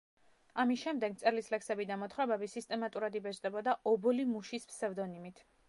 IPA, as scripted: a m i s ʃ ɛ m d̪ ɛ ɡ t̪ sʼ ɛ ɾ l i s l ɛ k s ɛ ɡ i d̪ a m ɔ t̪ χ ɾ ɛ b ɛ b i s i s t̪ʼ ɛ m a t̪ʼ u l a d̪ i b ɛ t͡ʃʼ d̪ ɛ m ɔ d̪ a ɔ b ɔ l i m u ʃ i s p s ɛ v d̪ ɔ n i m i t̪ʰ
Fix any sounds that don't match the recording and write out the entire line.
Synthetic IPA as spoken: a m i s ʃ ɛ m d̪ ɛ ɡ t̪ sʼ ɛ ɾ l i s l ɛ k s ɛ b i d̪ a m ɔ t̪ χ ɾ ɛ b ɛ b i s i s t̪ʼ ɛ m a t̪ʼ u ɾ a d̪ i b ɛ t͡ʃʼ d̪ ɛ b ɔ d̪ a ɔ b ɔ l i m u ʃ i s p s ɛ v d̪ ɔ n i m i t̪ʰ